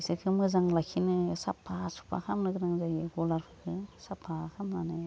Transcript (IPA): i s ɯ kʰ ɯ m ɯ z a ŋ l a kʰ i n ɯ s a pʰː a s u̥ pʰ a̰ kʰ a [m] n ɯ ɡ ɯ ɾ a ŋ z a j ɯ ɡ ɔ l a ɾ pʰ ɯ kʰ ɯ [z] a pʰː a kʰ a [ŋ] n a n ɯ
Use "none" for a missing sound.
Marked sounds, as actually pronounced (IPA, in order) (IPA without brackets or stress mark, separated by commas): m, s, m